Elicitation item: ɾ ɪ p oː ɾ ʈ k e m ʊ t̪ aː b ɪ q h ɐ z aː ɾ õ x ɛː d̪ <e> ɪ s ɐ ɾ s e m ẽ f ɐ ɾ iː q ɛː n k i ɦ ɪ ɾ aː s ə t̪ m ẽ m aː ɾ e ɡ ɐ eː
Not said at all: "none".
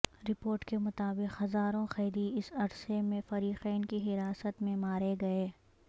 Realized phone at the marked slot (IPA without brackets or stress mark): i